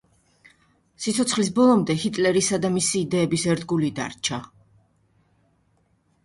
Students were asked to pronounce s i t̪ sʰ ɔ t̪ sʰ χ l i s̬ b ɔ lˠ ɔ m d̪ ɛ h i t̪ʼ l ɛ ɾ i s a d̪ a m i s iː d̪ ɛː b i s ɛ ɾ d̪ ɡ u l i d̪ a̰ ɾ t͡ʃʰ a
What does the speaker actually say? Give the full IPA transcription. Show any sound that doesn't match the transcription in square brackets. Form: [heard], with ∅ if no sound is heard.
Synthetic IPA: s i t̪ sʰ ɔ t̪ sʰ χ l i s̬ b ɔ lˠ ɔ m d̪ ɛ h i t̪ʼ l ɛ ɾ i s a d̪ a m i s iː d̪ ɛː b i s ɛ ɾ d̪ ɡ u l i d̪ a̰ ɾ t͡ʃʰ a